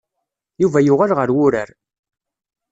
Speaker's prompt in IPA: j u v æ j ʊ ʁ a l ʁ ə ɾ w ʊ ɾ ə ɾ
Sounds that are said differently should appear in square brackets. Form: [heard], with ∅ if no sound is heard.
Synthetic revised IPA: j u v æ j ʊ ʁ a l ʁ ə ɾ w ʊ ɾ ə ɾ